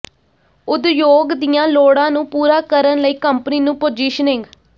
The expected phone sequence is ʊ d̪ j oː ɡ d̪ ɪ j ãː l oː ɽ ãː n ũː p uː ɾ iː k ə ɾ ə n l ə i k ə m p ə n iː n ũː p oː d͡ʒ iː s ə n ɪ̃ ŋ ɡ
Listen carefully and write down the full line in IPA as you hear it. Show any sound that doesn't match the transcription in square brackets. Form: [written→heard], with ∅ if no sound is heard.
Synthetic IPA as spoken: ʊ d̪ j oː ɡ d̪ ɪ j ãː l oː ɽ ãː n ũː p uː ɾ [iː→aː] k ə ɾ ə n l ə [i→iː] k ə m p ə n iː n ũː p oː d͡ʒ iː [s→ʃ] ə n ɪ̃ ŋ ɡ